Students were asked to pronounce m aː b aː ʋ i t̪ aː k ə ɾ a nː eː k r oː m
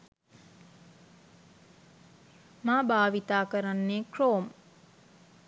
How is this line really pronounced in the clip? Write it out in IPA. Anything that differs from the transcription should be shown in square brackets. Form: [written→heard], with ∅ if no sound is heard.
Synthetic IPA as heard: m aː b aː ʋ i t̪ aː k ə ɾ a nː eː k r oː m